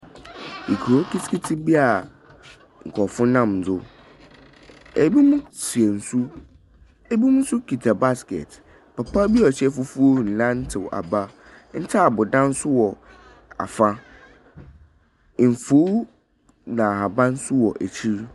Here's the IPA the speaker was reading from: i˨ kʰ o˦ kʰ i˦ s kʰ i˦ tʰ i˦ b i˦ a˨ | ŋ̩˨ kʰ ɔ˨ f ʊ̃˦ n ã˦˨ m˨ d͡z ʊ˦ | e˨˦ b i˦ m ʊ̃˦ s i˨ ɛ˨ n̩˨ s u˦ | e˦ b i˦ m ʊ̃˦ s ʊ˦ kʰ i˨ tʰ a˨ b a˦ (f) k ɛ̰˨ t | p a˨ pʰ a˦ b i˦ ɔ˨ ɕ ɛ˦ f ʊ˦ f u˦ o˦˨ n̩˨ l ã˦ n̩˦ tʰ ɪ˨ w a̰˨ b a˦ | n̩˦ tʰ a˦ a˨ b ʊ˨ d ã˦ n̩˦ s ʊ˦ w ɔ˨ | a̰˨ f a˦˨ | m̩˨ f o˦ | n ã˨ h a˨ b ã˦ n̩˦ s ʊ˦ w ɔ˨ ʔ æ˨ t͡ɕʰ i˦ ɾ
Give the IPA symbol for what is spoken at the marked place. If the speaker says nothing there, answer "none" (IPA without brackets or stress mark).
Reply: s